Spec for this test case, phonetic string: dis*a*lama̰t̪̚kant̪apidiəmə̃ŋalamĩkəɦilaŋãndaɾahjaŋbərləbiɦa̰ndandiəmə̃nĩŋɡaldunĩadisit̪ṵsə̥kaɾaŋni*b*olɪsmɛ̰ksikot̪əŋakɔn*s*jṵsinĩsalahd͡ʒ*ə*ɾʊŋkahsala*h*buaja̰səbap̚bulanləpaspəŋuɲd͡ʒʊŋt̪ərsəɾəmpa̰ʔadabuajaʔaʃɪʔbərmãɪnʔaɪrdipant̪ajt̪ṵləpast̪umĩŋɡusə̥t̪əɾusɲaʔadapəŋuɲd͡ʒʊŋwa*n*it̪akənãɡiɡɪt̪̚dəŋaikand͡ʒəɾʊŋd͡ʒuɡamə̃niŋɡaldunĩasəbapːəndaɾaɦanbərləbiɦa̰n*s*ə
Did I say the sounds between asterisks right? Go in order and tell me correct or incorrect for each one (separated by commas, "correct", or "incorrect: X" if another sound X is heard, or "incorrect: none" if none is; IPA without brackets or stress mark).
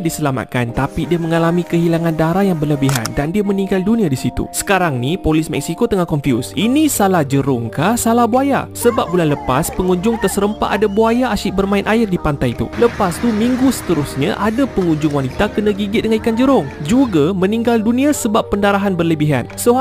incorrect: ə, incorrect: p, incorrect: f, correct, correct, correct, correct